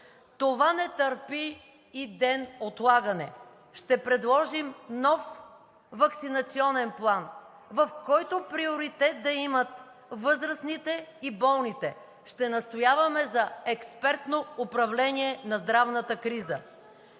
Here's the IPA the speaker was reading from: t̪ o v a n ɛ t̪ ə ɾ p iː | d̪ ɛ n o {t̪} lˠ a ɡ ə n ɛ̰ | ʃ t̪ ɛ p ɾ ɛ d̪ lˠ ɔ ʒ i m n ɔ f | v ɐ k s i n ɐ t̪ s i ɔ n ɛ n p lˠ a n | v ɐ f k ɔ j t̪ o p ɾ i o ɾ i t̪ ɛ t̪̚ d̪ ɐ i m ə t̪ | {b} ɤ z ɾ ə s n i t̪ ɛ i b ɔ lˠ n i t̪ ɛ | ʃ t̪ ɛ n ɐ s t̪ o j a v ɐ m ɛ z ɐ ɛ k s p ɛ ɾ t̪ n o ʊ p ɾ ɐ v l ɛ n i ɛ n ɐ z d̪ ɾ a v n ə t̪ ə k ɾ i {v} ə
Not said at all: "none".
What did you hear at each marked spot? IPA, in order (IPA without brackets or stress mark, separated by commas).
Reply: t̪, v, z